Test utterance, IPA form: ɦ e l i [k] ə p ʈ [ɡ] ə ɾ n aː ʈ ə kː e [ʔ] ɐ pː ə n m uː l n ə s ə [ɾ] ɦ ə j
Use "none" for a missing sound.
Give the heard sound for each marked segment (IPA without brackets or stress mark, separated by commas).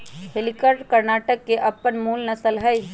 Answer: k, k, ʔ, l